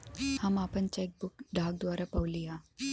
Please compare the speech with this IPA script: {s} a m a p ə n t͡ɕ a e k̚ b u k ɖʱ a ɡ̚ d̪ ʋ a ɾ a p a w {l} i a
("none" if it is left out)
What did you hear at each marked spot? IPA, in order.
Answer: h, l

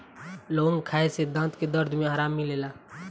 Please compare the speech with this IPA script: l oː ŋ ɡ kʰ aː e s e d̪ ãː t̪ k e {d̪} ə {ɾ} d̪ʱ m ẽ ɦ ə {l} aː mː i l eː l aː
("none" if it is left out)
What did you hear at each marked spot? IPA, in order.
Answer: d̪, ɾ, ɾ

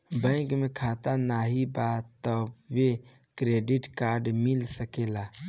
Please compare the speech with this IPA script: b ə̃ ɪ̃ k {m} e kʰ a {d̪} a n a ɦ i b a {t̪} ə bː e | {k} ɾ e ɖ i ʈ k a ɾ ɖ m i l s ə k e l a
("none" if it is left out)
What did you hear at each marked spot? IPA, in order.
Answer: m, t̪, t̪, k

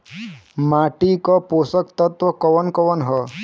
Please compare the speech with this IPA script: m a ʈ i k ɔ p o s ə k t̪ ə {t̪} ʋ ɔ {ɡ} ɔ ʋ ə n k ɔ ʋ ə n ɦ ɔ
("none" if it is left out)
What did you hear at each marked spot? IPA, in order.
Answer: t̪, k

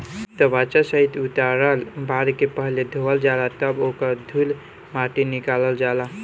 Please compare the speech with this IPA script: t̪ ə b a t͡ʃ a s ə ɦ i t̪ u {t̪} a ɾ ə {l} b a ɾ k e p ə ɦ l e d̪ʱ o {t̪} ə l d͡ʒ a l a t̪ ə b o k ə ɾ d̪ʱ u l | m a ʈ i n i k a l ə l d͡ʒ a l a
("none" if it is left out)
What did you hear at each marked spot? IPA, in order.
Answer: t̪, l, none

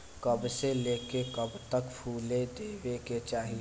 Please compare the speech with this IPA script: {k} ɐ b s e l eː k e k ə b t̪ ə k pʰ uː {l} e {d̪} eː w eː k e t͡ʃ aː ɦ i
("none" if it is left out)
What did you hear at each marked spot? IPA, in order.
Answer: k, l, d̪

